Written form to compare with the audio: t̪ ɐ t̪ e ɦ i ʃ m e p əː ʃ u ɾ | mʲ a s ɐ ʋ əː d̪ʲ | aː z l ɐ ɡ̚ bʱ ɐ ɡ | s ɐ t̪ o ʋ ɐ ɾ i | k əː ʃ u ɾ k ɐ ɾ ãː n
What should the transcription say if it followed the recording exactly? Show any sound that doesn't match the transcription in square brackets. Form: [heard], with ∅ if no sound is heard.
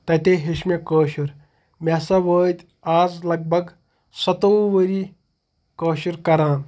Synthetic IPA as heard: t̪ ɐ t̪ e ɦ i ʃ m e [k] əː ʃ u ɾ | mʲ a s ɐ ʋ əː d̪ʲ | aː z l ɐ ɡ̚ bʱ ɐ ɡ | s ɐ t̪ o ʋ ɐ ɾ i | k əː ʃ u ɾ k ɐ ɾ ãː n